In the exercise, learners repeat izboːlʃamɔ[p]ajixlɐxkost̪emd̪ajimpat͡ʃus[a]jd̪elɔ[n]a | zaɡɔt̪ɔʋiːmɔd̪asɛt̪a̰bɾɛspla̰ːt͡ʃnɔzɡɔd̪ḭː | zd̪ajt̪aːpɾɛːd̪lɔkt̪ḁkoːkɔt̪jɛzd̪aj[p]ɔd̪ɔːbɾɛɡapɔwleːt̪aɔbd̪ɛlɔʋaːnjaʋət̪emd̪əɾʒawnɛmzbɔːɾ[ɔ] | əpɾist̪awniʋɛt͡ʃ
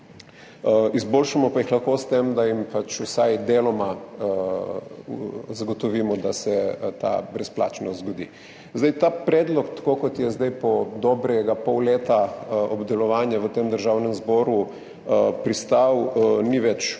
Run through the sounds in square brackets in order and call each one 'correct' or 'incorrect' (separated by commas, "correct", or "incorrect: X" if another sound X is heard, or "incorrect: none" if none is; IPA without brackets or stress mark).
correct, correct, incorrect: m, correct, incorrect: u